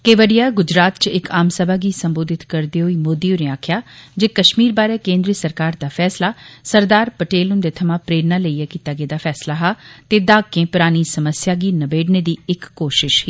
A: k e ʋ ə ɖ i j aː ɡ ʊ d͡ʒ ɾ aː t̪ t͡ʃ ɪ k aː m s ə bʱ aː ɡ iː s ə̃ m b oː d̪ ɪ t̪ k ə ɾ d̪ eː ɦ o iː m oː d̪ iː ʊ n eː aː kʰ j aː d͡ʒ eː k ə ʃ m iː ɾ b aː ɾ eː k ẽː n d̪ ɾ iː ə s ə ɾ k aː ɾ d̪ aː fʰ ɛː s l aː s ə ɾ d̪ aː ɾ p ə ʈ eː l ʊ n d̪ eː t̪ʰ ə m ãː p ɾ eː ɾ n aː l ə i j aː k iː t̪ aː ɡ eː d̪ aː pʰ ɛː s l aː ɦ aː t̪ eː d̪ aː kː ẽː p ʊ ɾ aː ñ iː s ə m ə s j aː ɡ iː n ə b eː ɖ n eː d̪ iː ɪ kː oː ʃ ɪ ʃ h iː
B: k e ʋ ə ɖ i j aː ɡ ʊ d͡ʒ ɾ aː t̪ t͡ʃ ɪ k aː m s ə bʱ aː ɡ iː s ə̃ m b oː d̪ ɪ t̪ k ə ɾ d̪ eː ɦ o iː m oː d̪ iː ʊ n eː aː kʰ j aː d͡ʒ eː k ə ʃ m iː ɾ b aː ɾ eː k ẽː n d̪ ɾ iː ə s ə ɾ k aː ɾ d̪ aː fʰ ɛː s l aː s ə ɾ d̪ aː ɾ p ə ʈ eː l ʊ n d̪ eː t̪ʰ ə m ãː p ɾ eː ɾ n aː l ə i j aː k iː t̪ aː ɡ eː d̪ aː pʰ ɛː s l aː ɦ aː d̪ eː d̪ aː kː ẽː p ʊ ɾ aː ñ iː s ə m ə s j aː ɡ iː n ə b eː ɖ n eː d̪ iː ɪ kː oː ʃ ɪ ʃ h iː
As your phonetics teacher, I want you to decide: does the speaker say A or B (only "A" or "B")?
A